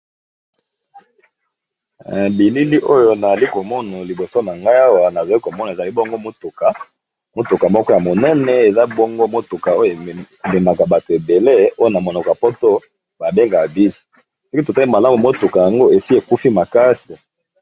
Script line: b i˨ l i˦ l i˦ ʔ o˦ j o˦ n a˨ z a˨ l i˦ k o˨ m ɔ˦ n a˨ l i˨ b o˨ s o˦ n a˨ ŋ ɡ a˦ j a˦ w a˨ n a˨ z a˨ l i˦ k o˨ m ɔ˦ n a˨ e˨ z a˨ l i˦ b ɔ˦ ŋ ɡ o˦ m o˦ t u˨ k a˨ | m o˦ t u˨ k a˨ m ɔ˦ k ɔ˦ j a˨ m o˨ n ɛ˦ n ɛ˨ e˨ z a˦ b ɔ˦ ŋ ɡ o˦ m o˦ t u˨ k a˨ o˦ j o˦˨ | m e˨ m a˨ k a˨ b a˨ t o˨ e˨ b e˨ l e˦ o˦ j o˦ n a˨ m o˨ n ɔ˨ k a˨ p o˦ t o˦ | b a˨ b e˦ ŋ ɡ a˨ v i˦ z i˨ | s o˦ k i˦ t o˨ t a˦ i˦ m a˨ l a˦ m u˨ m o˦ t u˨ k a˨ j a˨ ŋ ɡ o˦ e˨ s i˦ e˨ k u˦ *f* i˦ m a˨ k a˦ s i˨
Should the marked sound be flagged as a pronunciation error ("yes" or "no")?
no